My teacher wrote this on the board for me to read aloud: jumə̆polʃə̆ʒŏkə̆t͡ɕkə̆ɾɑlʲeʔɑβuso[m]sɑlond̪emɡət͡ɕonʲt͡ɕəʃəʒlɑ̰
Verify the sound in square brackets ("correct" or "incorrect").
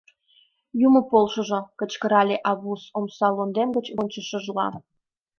correct